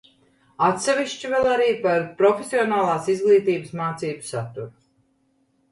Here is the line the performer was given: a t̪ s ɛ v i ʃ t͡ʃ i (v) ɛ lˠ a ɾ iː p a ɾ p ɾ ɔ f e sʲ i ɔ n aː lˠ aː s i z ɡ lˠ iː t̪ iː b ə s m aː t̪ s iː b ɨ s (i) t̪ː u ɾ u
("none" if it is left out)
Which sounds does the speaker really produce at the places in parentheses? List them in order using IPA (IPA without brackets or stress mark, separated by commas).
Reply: v, a